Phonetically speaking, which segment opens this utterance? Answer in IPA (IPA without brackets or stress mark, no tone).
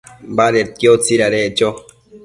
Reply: b